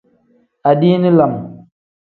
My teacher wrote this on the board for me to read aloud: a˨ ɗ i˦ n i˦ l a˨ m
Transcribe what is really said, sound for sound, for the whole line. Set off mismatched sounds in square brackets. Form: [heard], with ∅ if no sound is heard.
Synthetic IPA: a˨ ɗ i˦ n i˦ l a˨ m

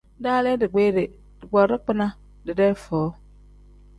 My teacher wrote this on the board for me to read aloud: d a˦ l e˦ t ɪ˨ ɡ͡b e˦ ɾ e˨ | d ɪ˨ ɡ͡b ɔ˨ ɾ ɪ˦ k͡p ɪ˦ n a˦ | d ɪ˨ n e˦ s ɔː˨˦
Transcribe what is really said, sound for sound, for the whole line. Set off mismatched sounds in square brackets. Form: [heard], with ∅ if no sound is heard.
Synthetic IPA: d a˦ l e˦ [d] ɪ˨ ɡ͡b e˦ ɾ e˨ | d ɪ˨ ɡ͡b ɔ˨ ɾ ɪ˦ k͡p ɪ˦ n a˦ | d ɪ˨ [d] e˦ [f] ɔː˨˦

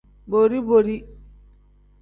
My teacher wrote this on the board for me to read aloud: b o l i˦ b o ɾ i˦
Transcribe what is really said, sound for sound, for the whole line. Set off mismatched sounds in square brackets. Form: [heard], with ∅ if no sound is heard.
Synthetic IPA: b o [ɾ] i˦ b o ɾ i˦

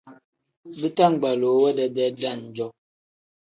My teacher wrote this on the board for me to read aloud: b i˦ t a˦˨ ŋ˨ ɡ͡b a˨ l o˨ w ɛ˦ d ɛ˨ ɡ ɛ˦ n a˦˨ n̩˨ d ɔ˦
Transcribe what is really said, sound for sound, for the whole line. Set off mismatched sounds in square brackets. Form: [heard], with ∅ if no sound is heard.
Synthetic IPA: b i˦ t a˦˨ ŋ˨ ɡ͡b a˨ l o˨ w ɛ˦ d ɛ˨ [d] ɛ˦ [d] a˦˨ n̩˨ [d͡ʒ] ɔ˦

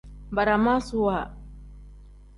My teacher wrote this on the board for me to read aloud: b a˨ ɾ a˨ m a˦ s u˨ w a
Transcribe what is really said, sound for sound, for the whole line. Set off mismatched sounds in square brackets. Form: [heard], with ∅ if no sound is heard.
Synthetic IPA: b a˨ ɾ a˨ m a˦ s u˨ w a

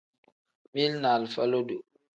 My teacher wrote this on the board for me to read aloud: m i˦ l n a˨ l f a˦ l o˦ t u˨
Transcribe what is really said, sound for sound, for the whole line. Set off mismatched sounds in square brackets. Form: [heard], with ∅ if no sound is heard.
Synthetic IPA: m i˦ l n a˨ l f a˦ l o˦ [d] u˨

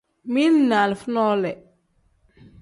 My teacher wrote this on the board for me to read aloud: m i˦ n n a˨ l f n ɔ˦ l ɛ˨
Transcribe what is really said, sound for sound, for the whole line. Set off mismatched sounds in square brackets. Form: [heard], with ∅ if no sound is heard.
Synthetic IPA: m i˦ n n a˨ l f n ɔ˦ l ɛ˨

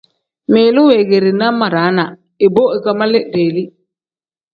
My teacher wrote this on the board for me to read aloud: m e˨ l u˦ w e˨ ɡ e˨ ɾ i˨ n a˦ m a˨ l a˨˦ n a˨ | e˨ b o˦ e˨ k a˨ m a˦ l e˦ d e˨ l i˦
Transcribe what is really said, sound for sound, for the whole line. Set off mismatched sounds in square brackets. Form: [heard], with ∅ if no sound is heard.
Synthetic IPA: m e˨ l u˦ w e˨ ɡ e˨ ɾ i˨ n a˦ m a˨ [ɾ] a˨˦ n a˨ | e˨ b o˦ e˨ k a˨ m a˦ l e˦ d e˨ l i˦

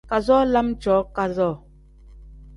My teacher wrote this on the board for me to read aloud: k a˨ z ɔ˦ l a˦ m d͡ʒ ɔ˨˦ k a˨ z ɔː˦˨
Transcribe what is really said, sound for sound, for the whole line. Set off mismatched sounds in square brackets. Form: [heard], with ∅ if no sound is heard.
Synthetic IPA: k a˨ z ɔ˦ l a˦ m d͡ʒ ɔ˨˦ k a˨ z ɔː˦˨

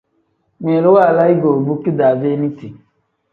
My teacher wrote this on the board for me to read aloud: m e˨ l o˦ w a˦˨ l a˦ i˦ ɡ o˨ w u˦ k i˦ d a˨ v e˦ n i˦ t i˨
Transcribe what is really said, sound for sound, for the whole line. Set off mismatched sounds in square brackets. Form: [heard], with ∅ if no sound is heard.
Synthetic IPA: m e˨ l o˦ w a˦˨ l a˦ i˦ ɡ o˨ [b] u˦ k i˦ d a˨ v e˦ n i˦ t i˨

